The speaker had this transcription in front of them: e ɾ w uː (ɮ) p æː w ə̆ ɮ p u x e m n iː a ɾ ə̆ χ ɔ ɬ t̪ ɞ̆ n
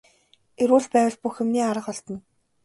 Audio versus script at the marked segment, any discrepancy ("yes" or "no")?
no